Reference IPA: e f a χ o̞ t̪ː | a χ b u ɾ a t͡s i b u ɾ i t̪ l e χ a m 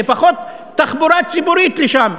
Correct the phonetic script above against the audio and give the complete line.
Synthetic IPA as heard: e f a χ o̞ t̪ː | a χ b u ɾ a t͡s i b u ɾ i t̪ l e ʃ a m